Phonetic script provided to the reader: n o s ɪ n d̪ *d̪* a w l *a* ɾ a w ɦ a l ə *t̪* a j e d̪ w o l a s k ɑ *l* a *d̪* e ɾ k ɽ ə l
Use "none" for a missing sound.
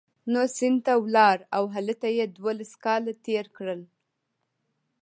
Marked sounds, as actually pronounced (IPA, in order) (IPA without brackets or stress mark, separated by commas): t̪, ɑ, t̪, l, t̪